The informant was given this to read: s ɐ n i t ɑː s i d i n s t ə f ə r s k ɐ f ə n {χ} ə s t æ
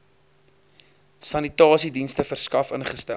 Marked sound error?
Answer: no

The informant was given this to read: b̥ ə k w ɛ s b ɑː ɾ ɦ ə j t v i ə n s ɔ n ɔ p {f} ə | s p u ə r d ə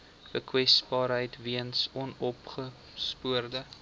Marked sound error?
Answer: yes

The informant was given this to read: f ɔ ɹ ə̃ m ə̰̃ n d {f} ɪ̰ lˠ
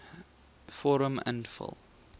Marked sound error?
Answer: no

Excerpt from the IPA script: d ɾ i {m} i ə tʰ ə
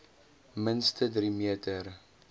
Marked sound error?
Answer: no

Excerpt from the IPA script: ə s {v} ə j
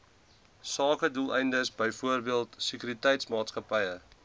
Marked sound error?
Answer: yes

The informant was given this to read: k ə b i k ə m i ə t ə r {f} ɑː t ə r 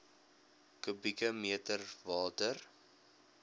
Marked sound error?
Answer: yes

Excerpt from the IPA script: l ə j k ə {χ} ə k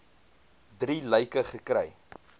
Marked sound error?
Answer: no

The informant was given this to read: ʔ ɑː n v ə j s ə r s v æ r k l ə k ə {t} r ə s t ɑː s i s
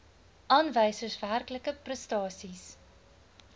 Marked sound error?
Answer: yes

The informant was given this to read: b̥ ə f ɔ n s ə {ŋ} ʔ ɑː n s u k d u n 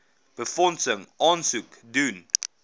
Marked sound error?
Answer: no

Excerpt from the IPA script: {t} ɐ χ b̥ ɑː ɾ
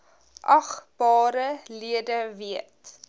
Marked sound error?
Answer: yes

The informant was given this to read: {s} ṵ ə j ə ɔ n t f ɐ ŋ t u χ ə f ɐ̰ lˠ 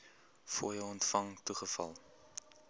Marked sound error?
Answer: yes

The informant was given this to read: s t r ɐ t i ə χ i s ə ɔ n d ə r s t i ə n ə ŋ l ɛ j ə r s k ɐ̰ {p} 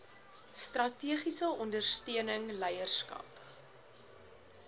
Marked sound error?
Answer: no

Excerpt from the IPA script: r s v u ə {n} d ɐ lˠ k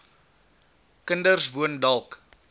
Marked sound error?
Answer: no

